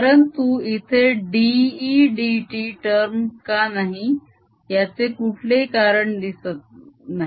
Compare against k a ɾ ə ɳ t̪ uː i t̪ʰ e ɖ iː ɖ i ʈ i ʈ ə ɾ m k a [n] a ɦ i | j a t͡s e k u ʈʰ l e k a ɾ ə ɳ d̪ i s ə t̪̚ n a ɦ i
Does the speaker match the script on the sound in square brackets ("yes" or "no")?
yes